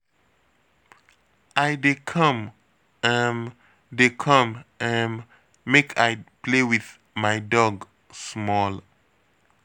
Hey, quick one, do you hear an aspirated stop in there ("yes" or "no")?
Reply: yes